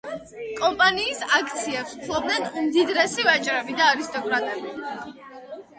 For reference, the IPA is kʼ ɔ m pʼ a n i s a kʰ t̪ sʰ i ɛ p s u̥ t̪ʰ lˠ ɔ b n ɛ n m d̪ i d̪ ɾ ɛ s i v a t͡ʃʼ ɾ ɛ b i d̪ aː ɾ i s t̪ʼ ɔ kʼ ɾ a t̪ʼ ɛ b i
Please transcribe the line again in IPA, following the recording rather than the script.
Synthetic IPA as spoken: kʼ ɔ m pʼ a n iː s a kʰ t̪ sʰ i ɛ p s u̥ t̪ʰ lˠ ɔ b n ɛ n m d̪ i d̪ ɾ ɛ s i v a t͡ʃʼ ɾ ɛ b i d̪ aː ɾ i s t̪ʼ ɔ kʼ ɾ a t̪ʼ ɛ b i

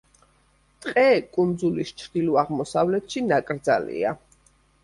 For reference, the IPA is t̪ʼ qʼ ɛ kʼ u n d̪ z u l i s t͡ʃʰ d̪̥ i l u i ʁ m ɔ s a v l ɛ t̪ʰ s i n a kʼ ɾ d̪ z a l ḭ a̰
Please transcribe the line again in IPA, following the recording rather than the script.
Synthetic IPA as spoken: t̪ʼ qʼ ɛ kʼ u n d̪ z u l i s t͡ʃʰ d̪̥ i l u a ʁ m ɔ s a v l ɛ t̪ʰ ʃ i n a kʼ ɾ d̪ z a l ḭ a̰

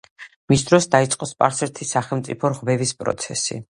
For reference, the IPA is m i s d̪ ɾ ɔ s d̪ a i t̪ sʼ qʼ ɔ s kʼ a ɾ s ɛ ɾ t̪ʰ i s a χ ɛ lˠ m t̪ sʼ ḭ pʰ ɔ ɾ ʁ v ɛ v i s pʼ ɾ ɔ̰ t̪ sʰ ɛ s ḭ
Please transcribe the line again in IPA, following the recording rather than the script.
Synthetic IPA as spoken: m i s d̪ ɾ ɔ s d̪ a i t̪ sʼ qʼ ɔ s pʼ a ɾ s ɛ ɾ t̪ʰ i s a χ ɛ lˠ m t̪ sʼ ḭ pʰ ɔ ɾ ʁ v ɛ v i s pʼ ɾ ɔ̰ t̪ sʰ ɛ s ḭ

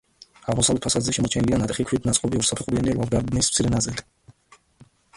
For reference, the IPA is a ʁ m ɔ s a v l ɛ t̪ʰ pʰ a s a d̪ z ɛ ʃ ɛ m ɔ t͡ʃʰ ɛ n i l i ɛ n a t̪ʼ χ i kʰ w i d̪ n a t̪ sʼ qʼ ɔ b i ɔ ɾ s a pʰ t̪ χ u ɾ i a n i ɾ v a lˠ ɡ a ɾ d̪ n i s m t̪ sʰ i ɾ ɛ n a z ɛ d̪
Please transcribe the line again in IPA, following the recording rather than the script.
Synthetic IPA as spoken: a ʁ m ɔ s a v l ɛ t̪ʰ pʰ a s a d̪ z ɛ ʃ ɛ m ɔ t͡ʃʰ ɛ n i l i a n a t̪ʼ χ i kʰ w i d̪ n a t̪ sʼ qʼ ɔ b i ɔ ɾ s a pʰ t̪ χ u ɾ i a n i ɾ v a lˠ ɡ a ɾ d̪ n i s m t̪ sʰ i ɾ ɛ n a z ɛ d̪

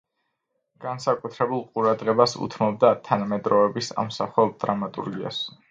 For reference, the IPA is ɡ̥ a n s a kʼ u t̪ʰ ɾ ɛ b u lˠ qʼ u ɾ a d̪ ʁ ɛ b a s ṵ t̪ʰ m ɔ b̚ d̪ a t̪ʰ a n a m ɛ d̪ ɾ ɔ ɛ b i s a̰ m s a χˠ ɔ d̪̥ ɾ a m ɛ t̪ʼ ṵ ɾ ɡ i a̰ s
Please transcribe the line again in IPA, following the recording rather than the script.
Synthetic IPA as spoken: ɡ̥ a n s a kʼ u t̪ʰ ɾ ɛ b u lˠ qʼ u ɾ a d̪ ʁ ɛ b a s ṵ t̪ʰ m ɔ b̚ d̪ a t̪ʰ a n a m ɛ d̪ ɾ ɔ ɛ b i s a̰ m s a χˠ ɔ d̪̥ ɾ a m a t̪ʼ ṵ ɾ ɡ i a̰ s

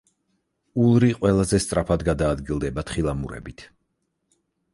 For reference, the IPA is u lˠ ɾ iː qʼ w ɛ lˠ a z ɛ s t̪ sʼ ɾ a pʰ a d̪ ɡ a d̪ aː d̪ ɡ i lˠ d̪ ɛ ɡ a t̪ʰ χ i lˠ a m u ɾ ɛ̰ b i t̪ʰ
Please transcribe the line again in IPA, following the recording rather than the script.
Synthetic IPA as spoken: u lˠ ɾ i qʼ w ɛ lˠ a z ɛ s t̪ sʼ ɾ a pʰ a d̪ ɡ a d̪ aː d̪ ɡ i lˠ d̪ ɛ b a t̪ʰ χ i lˠ a m u ɾ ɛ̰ b i t̪ʰ

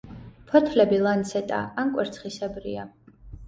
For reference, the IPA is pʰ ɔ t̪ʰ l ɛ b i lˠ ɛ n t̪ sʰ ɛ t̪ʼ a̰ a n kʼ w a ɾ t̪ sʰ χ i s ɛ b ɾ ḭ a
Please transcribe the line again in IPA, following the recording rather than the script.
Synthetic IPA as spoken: pʰ ɔ t̪ʰ l ɛ b i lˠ a n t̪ sʰ ɛ t̪ʼ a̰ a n kʼ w ɛ ɾ t̪ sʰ χ i s ɛ b ɾ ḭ a

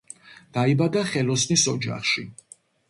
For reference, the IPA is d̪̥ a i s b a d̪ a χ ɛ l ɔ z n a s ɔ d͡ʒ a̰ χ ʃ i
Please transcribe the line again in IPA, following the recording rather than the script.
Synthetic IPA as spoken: d̪̥ a i b a d̪ a χ ɛ l ɔ s n i s ɔ d͡ʒ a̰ χ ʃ i

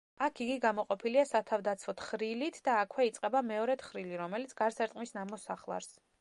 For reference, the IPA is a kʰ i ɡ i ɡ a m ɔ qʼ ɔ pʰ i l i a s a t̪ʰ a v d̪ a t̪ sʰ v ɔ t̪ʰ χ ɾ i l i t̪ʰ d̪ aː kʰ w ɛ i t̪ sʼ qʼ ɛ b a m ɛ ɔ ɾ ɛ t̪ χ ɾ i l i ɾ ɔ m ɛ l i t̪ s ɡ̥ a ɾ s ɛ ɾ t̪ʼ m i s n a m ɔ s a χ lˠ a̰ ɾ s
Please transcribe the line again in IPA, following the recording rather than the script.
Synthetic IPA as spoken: a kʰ i ɡ i ɡ a m ɔ qʼ ɔ pʰ i l i a s a t̪ʰ a v d̪ a t̪ sʰ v ɔ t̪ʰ χ ɾ i l i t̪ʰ d̪ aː kʰ w ɛ i t̪ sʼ qʼ ɛ b a m ɛ ɔ ɾ ɛ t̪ χ ɾ i l i ɾ ɔ m ɛ l i t̪ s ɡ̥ a ɾ s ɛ ɾ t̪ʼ m i s n a m ɔ s a χ lˠ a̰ ɾ s

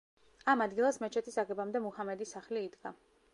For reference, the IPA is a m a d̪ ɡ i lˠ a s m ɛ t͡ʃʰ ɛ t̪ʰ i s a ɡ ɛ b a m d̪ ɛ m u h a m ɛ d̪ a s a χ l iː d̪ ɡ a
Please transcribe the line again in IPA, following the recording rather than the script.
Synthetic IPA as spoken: a m a d̪ ɡ i lˠ a s m ɛ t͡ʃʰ ɛ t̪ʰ i s a ɡ ɛ b a m d̪ ɛ m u h a m ɛ d̪ i s a χ l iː d̪ ɡ a

